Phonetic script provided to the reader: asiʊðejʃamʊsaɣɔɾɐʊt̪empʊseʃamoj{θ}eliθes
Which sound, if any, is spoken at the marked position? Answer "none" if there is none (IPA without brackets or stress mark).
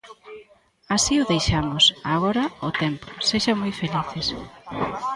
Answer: f